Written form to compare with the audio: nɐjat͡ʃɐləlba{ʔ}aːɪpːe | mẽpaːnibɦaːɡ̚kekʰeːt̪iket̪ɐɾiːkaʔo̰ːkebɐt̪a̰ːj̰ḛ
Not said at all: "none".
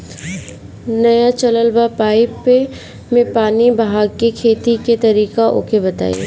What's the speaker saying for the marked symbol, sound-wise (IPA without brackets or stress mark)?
p